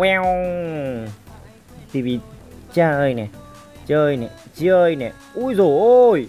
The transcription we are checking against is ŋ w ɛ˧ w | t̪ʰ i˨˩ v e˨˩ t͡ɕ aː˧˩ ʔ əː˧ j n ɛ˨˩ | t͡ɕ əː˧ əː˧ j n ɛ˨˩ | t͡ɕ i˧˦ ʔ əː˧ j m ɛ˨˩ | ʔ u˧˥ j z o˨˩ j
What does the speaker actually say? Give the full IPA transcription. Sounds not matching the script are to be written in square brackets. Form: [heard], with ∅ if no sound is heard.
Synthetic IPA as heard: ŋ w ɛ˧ w | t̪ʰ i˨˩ v [i˨˩] t͡ɕ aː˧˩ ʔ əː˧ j n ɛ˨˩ | t͡ɕ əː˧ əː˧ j n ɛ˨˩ | t͡ɕ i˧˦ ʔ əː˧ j [n] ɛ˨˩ | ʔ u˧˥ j z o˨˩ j